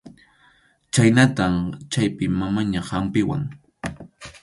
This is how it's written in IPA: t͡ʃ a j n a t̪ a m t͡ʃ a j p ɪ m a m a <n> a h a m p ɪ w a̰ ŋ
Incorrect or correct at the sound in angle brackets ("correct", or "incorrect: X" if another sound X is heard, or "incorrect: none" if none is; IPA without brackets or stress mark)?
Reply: incorrect: ɲ